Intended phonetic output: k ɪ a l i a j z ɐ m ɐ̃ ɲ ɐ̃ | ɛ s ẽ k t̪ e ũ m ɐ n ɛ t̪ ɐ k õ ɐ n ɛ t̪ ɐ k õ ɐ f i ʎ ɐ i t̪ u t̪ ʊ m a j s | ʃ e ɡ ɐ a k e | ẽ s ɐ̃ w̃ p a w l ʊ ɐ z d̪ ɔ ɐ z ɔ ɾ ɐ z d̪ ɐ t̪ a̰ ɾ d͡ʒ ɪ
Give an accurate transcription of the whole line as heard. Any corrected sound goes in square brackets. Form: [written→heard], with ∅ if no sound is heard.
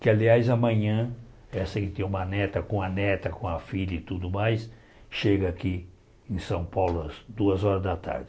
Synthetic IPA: k ɪ a l i a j z ɐ m ɐ̃ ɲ ɐ̃ | ɛ s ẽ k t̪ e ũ m ɐ n ɛ t̪ ɐ k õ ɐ n ɛ t̪ ɐ k õ ɐ f i ʎ ɐ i t̪ u [t̪→d̪] ʊ m a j s | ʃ e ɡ ɐ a k [e→i] | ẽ s ɐ̃ w̃ p a w l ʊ ɐ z d̪ [ɔ→u] ɐ z ɔ ɾ ɐ z d̪ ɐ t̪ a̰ ɾ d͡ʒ ɪ